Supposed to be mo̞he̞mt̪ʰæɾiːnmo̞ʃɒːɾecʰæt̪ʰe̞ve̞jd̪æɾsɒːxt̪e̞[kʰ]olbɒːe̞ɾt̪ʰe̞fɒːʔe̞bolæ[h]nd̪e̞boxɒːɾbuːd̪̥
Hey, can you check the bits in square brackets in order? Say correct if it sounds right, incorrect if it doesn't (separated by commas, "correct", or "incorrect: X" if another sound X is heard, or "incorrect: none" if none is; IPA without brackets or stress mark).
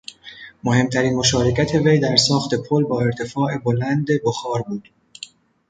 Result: incorrect: pʰ, incorrect: none